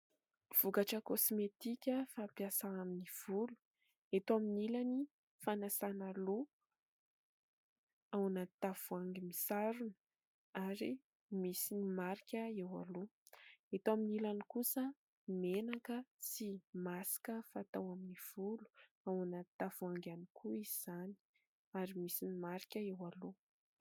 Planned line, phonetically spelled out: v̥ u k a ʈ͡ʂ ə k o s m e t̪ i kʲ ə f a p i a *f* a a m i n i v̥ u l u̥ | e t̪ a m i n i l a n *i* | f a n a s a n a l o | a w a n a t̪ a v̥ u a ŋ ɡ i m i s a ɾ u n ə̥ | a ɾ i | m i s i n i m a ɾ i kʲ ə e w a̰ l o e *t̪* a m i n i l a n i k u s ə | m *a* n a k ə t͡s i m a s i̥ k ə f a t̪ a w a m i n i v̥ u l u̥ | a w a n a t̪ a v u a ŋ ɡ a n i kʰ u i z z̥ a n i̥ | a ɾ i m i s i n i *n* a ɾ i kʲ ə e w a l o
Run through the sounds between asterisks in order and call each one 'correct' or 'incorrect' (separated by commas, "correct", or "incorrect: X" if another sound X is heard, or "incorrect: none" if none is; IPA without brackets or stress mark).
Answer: incorrect: s, correct, correct, incorrect: e, incorrect: m